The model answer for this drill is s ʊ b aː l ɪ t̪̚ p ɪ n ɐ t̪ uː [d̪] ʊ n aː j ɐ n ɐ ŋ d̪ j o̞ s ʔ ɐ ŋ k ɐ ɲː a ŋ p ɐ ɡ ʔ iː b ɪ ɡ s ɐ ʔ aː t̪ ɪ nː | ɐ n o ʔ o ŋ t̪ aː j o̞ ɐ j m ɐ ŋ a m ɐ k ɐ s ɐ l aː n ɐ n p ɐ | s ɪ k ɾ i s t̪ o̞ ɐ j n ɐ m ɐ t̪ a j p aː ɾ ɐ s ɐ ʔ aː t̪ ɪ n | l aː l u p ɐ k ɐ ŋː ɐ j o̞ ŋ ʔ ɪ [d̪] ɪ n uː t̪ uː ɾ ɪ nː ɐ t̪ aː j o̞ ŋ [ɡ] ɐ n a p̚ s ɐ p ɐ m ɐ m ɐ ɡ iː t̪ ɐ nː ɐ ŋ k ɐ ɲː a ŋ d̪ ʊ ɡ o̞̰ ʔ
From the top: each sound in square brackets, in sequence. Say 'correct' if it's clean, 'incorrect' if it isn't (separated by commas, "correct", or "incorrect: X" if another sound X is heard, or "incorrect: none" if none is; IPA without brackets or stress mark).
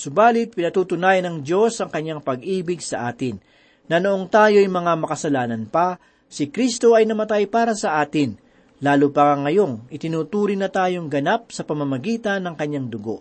incorrect: t̪, incorrect: t̪, correct